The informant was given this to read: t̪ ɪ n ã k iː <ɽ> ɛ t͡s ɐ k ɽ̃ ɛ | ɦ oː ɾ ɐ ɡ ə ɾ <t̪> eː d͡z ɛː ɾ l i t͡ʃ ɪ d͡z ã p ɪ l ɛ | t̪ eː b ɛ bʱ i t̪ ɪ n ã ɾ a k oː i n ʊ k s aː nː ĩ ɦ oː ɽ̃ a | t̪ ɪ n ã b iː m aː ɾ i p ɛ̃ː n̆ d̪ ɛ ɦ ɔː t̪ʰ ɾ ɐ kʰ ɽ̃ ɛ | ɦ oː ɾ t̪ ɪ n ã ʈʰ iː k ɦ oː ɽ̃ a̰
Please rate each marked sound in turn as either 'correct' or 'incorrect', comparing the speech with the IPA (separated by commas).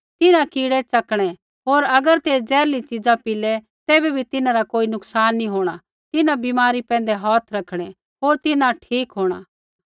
correct, correct